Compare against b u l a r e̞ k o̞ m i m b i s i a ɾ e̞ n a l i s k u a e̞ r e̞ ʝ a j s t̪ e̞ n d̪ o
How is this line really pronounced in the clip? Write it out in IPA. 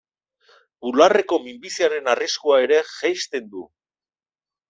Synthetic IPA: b u l a r e̞ k o̞ m i m b i s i a ɾ e̞ n a r i s k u a e̞ ɾ e̞ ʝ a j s t̪ e̞ n d̪ u